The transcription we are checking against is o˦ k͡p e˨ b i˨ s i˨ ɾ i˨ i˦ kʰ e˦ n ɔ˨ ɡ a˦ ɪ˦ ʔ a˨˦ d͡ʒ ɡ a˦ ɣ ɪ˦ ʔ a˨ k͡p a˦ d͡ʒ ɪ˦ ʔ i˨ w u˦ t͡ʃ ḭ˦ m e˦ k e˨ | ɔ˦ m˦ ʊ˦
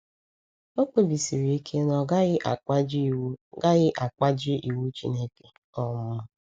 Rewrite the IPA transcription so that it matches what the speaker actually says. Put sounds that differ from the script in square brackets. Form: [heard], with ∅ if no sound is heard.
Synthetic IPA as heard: o˦ k͡p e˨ b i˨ s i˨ ɾ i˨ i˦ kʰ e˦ n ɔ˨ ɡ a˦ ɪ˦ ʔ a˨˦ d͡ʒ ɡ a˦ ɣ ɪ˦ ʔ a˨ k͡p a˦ d͡ʒ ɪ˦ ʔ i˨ w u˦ t͡ʃ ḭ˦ [n] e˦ k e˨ | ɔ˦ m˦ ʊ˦